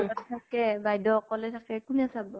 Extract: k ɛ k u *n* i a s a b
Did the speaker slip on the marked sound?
no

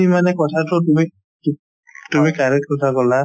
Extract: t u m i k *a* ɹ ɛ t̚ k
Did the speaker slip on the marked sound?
no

